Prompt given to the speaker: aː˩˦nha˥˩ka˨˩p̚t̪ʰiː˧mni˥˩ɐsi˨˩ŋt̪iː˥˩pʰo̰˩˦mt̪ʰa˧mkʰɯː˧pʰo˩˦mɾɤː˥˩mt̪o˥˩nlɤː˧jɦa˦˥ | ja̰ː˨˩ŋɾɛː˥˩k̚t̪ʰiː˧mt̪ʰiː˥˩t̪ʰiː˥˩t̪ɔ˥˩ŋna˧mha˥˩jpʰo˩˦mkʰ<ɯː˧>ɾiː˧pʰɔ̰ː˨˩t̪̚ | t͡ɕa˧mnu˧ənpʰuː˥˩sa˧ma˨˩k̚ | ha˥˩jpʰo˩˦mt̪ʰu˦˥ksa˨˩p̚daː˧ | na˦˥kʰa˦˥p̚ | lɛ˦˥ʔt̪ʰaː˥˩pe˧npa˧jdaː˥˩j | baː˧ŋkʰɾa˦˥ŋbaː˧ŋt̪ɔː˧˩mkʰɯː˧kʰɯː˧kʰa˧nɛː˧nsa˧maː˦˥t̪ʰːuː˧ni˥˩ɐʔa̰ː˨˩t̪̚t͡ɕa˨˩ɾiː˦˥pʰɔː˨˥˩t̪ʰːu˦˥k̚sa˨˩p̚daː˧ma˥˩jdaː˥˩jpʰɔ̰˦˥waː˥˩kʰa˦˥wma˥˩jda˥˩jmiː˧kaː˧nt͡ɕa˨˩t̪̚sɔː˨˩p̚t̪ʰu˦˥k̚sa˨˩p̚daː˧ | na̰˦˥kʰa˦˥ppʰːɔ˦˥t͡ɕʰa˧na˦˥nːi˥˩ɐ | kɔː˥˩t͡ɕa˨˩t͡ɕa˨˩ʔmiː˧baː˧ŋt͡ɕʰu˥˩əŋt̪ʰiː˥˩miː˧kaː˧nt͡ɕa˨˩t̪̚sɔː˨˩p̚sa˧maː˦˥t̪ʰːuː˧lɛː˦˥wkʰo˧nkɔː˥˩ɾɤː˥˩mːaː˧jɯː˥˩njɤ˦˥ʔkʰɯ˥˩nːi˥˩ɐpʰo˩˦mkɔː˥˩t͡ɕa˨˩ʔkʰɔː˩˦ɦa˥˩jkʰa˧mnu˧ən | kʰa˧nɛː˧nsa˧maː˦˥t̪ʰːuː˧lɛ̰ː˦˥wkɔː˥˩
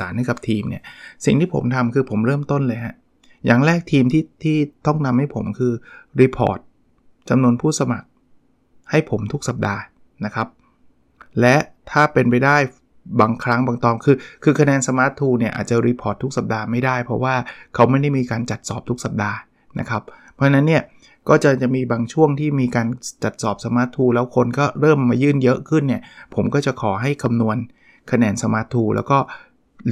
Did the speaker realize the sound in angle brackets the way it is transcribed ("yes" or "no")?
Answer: yes